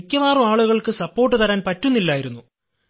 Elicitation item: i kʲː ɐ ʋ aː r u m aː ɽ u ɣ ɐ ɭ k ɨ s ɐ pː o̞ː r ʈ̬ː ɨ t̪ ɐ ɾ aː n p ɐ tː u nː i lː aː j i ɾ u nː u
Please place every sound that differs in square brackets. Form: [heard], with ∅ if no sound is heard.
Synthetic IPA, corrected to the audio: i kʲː ɐ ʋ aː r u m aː [ɭ] u ɣ ɐ ɭ k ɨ s ɐ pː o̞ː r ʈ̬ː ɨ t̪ ɐ ɾ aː n p ɐ tː u nː i lː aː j i ɾ u nː u